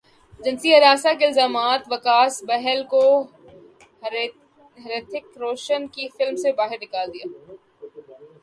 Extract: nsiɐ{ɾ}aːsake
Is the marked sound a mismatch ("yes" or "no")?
no